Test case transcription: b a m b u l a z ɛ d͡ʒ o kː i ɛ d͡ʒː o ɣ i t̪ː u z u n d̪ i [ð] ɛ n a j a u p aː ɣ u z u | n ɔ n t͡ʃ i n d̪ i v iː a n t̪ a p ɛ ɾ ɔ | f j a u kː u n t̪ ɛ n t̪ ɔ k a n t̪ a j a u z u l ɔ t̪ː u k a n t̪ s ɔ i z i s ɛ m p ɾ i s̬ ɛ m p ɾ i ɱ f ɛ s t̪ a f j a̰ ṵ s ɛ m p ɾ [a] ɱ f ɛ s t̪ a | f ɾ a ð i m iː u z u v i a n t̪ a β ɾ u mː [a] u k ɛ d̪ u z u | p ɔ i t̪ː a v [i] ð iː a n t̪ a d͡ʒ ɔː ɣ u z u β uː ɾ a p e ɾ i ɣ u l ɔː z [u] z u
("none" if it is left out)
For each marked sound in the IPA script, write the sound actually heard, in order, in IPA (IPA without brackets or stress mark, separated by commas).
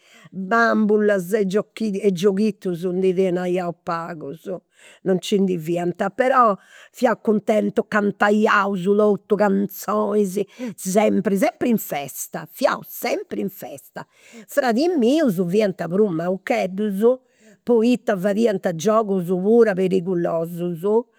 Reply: ð, i, a, a, u